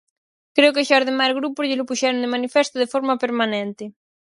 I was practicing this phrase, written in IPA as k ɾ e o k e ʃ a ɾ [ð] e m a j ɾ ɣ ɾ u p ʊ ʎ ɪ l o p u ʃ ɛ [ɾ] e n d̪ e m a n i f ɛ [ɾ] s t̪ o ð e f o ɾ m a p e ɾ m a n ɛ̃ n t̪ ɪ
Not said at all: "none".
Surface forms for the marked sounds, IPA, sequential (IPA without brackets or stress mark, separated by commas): ð, ɾ, none